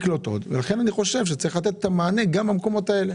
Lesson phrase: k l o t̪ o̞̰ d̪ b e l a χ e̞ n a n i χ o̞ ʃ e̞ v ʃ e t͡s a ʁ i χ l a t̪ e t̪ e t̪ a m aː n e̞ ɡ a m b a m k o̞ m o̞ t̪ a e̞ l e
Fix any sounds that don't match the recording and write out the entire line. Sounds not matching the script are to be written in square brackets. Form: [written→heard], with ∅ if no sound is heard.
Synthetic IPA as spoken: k l o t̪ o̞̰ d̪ [b→v] e l a χ e̞ n a n i χ o̞ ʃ e̞ v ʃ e t͡s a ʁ i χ l a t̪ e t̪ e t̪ a m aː n e̞ ɡ a m b a m k o̞ m o̞ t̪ a e̞ l e